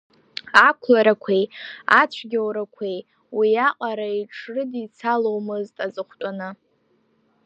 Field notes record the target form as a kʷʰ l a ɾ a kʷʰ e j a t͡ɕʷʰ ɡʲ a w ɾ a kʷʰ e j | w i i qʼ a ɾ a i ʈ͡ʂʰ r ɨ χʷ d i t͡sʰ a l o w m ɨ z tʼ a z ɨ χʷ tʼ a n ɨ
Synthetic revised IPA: a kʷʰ l a ɾ a kʷʰ e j a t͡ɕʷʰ ɡʲ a w ɾ a kʷʰ e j | w i a qʼ a ɾ a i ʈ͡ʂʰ r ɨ d i t͡sʰ a l o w m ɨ z tʼ a z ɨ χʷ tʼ a n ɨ